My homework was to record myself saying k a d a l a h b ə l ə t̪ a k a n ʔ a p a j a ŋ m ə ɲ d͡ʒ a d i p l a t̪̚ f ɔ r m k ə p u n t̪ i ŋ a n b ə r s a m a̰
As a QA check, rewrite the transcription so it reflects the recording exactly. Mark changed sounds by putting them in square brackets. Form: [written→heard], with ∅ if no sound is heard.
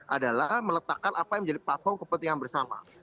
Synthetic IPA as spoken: [k→ʔ] a d a l a h [b→m] ə l ə t̪ a k a n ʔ a p a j a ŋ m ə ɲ d͡ʒ a d i p l a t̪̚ f ɔ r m k ə p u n t̪ i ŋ a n b ə r s a m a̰